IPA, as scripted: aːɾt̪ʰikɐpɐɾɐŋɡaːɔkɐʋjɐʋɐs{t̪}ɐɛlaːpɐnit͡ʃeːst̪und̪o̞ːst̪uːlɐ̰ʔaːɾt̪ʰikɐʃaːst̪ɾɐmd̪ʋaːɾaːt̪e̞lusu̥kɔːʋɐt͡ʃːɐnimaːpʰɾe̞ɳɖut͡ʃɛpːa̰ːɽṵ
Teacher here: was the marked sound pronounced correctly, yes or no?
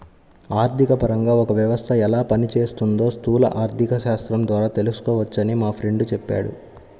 no